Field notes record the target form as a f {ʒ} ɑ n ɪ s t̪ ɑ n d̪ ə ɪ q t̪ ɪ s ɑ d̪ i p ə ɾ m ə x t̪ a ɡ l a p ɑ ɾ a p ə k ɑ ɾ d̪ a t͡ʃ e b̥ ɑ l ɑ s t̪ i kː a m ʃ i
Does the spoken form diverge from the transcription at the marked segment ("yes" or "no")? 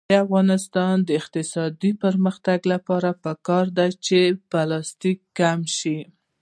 yes